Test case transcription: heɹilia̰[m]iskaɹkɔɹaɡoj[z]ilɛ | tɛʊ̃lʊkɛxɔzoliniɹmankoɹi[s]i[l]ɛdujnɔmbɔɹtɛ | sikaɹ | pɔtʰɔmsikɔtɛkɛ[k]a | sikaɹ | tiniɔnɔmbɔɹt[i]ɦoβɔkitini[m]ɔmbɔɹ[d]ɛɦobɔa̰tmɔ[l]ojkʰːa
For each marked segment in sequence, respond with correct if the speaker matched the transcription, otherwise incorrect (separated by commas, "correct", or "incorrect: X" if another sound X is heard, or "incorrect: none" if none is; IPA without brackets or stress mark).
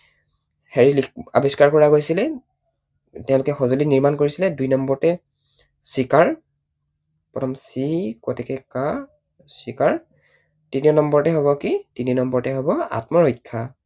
incorrect: b, incorrect: s, correct, correct, correct, incorrect: ɛ, incorrect: n, incorrect: t, incorrect: ɹ